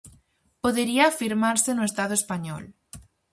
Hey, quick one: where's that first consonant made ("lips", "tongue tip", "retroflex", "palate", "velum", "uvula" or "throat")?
lips